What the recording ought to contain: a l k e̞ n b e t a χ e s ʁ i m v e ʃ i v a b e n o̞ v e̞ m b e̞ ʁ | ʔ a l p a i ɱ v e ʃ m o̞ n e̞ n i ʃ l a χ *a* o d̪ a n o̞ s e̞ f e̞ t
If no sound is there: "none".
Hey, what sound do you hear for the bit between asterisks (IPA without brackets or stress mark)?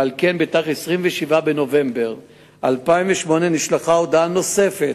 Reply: a